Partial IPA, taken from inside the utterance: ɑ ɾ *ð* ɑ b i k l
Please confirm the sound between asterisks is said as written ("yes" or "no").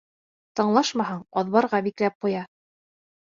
no